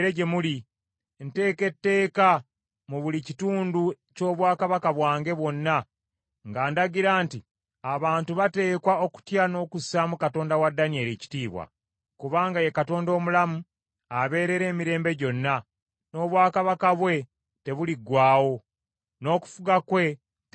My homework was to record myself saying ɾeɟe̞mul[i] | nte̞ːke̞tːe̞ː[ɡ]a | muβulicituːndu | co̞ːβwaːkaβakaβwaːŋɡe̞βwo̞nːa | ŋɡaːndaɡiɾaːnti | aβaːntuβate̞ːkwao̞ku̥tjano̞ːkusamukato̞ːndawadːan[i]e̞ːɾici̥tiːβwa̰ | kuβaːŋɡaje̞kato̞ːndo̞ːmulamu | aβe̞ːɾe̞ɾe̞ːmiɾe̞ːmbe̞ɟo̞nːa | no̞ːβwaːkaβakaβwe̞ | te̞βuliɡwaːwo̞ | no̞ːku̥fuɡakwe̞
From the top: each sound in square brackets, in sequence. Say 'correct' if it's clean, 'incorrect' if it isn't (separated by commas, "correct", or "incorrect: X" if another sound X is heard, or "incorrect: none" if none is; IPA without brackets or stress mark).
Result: correct, incorrect: k, correct